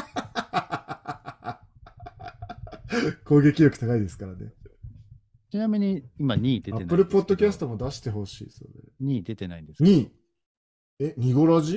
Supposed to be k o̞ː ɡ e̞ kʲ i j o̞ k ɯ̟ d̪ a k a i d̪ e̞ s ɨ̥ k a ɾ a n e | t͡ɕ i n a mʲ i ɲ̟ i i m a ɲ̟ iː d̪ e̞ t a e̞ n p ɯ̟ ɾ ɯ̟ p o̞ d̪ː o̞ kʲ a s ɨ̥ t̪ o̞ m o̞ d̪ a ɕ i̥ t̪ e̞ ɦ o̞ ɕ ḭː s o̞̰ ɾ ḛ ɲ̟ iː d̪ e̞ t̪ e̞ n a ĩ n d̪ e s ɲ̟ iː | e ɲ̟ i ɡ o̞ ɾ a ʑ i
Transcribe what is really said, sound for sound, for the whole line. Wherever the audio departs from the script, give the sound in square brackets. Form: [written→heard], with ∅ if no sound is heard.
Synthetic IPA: k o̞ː ɡ e̞ kʲ i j o̞ k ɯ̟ [d̪→t̪] a k a i d̪ e̞ s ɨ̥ k a ɾ a n e | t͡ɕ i n a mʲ i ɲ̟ i i m a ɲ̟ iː d̪ e̞ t a e̞ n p ɯ̟ ɾ ɯ̟ p o̞ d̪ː o̞ kʲ a s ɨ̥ t̪ o̞ m o̞ d̪ a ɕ i̥ t̪ e̞ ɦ o̞ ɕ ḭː s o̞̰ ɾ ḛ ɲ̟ iː d̪ e̞ t̪ e̞ n a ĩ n d̪ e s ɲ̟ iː | e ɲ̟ i ɡ o̞ ɾ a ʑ i